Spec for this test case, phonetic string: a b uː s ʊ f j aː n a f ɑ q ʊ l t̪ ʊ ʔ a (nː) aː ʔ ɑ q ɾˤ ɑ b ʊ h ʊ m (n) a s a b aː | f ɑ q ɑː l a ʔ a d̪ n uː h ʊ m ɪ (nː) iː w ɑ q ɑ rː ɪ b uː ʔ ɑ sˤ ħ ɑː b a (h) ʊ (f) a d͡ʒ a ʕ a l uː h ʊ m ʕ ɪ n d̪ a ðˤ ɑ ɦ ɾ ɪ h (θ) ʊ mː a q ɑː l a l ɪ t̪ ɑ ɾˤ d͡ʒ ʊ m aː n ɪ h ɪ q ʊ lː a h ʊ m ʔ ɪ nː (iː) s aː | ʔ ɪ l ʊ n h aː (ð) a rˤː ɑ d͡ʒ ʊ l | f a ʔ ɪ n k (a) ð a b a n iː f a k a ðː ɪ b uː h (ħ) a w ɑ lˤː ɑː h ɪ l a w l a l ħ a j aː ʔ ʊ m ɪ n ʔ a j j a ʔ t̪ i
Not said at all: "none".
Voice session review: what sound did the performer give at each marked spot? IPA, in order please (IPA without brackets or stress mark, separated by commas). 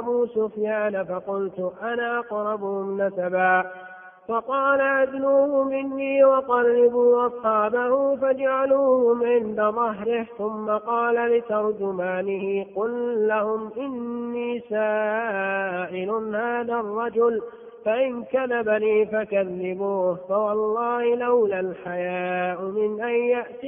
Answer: n, n, nː, h, f, θ, iː, ð, a, f